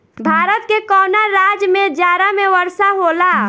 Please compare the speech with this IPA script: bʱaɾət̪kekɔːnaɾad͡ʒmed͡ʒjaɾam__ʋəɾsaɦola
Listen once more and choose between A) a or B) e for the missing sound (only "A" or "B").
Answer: B